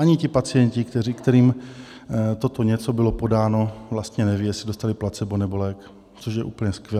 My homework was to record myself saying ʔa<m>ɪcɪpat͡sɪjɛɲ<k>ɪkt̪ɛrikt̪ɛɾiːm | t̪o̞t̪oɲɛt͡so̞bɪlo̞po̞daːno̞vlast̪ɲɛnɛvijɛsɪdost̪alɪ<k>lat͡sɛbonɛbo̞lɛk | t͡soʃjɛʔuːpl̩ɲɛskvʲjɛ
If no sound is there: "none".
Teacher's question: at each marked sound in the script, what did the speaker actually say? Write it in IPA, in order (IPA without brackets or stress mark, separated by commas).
ɲ, c, p